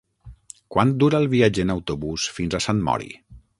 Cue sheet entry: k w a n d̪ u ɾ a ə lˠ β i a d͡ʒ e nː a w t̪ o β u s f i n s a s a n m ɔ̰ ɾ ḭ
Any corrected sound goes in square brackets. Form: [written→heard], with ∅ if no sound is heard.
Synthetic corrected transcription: k w a n d̪ u ɾ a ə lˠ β i a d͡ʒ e [nː→n] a w t̪ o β u s f i n [s→z] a s a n m ɔ̰ ɾ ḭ